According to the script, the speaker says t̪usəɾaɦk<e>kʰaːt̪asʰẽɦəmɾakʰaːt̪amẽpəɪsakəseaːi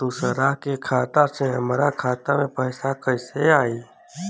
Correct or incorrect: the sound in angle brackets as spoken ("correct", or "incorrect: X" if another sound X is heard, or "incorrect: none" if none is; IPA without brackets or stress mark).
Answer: correct